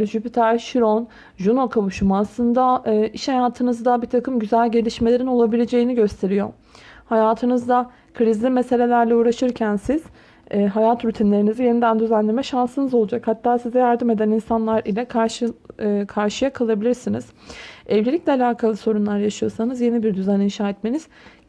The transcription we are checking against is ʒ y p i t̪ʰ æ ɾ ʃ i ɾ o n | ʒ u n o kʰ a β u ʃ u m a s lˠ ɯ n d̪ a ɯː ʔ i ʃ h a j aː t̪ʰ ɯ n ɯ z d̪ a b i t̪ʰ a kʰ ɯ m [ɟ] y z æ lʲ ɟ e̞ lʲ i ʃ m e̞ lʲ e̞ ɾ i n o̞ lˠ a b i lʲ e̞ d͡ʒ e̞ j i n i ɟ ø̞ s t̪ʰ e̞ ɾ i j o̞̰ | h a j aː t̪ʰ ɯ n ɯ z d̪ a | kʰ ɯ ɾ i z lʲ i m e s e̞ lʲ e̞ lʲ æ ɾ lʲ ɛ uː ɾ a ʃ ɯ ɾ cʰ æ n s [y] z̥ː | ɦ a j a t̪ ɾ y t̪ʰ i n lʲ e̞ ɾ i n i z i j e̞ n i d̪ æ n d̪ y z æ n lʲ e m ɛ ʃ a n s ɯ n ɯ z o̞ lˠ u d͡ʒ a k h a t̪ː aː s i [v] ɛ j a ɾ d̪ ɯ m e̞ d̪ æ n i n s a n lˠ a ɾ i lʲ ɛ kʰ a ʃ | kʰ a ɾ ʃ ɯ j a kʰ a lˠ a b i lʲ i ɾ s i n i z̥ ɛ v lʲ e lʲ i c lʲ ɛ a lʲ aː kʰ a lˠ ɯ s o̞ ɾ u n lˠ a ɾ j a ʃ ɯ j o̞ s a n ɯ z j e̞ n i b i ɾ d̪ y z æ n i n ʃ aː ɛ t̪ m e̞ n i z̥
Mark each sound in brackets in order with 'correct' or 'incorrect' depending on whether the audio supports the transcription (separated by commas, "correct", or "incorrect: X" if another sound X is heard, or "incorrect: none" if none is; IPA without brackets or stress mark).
correct, incorrect: i, incorrect: z